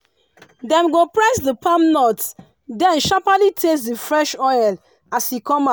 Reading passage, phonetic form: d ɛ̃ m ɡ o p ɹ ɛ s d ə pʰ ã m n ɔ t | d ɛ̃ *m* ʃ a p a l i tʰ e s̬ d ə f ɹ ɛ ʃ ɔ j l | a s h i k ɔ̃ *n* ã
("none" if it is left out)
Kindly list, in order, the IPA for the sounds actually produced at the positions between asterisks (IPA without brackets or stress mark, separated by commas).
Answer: n, m